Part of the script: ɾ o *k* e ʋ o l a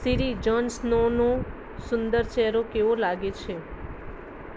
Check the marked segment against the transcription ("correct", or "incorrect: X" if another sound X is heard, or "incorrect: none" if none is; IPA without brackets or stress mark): correct